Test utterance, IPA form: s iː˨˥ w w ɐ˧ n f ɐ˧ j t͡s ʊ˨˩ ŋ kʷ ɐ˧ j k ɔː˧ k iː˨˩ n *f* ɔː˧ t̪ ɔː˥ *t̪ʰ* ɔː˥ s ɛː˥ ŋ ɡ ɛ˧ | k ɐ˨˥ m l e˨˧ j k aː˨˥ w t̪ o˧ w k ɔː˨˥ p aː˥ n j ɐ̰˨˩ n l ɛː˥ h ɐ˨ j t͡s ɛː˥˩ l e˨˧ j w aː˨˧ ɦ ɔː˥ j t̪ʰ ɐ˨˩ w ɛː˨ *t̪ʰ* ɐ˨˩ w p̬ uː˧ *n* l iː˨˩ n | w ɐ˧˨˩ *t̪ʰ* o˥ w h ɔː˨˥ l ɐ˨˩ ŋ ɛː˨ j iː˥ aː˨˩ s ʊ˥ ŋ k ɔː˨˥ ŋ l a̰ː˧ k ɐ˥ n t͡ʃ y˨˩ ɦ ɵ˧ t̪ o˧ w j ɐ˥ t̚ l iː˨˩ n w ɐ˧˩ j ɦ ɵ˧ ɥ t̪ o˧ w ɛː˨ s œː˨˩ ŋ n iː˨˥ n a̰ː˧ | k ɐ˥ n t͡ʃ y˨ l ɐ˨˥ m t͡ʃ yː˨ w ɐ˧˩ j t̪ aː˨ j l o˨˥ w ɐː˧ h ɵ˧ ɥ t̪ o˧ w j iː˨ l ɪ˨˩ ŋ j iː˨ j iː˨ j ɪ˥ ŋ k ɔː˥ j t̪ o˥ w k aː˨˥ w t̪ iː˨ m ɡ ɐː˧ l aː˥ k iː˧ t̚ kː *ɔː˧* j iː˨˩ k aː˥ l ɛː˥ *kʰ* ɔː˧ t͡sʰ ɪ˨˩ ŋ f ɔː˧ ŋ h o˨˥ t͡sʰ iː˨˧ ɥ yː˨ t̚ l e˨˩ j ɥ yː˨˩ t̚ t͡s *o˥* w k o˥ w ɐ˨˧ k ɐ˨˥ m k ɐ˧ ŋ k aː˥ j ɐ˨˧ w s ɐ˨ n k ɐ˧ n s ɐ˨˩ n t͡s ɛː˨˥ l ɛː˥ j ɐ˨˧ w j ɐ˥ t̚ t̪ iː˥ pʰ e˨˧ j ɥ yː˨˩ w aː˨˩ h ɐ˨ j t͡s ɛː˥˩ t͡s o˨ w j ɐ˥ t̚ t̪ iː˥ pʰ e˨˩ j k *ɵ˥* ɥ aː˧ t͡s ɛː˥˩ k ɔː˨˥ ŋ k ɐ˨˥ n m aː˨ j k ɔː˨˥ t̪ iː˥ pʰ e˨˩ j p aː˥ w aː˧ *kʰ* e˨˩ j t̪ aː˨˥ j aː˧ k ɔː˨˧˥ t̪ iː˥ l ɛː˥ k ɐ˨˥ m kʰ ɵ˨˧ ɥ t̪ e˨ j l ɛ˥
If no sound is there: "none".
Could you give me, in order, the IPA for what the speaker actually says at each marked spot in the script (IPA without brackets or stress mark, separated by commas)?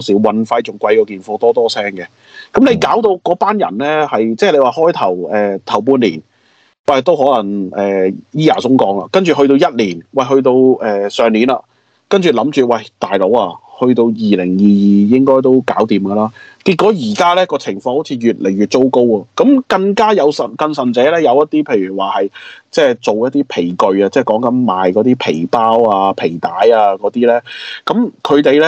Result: f, t̪, t̪ʰ, n, t̪, ɔː˨˥, k, o˥, ɵ˨˧, pʰ